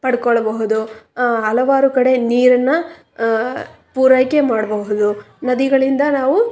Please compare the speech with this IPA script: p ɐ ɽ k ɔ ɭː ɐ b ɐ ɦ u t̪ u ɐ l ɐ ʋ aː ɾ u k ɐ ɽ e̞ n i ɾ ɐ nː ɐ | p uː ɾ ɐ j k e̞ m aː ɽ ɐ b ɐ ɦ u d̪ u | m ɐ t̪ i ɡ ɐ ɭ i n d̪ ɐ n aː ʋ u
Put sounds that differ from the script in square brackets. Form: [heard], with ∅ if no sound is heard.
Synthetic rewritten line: p ɐ ɽ k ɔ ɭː ɐ b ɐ ɦ u [d̪] u ɐ l ɐ ʋ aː ɾ u k ɐ ɽ e̞ n [iː] ɾ ɐ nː ɐ | p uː ɾ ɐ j k e̞ m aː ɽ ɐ b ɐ ɦ u d̪ u | [n] ɐ [d̪] i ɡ ɐ ɭ i n d̪ ɐ n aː ʋ u

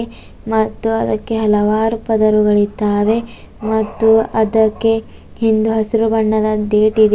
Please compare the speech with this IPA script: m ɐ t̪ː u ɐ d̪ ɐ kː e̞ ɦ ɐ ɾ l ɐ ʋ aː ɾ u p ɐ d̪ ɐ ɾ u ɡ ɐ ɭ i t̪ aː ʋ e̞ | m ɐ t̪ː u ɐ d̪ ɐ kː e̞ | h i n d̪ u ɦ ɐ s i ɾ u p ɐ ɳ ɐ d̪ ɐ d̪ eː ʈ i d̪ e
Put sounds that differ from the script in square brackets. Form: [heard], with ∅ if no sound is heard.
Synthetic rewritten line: m ɐ t̪ː u ɐ d̪ ɐ kː e̞ ɦ ɐ [∅] l ɐ ʋ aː ɾ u p ɐ d̪ ɐ ɾ u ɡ ɐ ɭ i t̪ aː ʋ e̞ | m ɐ t̪ː u ɐ d̪ ɐ kː e̞ | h i n d̪ u ɦ ɐ s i ɾ u [b] ɐ [ɳː] ɐ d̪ ɐ d̪ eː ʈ i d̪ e

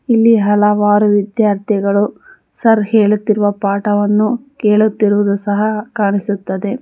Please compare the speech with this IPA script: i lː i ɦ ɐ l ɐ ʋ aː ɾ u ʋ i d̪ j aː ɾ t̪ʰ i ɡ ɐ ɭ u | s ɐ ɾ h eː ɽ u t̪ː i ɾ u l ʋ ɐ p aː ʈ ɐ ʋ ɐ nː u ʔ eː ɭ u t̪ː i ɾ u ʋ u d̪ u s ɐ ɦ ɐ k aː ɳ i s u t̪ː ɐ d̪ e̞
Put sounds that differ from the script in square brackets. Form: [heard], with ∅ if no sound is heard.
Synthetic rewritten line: i lː i ɦ ɐ l ɐ ʋ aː ɾ u ʋ i d̪ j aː ɾ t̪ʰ i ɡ ɐ ɭ u | s ɐ ɾ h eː [ɭ] u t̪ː i ɾ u [∅] ʋ ɐ p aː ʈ ɐ ʋ ɐ nː u [k] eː ɭ u t̪ː i ɾ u ʋ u d̪ u s ɐ ɦ ɐ k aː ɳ i s u t̪ː ɐ d̪ e̞

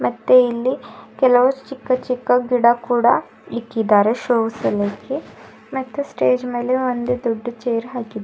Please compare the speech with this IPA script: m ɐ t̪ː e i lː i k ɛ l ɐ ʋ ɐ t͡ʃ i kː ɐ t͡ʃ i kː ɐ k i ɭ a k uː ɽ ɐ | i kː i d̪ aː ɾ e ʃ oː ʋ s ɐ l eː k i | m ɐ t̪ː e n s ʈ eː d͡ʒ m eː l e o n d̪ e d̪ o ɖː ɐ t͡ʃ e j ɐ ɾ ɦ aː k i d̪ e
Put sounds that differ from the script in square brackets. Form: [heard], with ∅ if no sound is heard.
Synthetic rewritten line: m ɐ t̪ː e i lː i k ɛ l ɐ ʋ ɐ t͡ʃ i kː ɐ t͡ʃ i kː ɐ [ɡ] i [ɽ] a k uː ɽ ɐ | i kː i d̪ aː ɾ e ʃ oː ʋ s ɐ l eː k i | m ɐ t̪ː e [∅] s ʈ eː d͡ʒ m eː l e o n d̪ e d̪ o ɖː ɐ t͡ʃ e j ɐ ɾ ɦ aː k i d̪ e

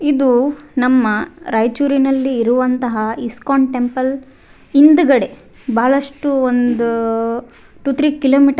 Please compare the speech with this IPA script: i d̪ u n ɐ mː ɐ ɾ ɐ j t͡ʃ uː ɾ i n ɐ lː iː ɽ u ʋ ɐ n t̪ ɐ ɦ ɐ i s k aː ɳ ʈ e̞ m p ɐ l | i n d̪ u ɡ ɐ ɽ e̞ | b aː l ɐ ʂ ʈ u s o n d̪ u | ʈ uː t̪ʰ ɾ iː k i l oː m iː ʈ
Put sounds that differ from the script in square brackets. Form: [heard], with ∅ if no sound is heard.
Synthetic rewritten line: i d̪ u n ɐ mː ɐ ɾ ɐ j t͡ʃ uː ɾ i n ɐ lː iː [ɾ] u ʋ ɐ n t̪ ɐ ɦ ɐ i s k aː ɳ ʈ e̞ m p ɐ l | i n d̪ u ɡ ɐ ɽ e̞ | b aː [ɭ] ɐ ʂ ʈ u [∅] o n d̪ u | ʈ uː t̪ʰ ɾ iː k i l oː m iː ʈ

